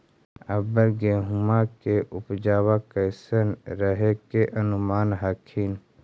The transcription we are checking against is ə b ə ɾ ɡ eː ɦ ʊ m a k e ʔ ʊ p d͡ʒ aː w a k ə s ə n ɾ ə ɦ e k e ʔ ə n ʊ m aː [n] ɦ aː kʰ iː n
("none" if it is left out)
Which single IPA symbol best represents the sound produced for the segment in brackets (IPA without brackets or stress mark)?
n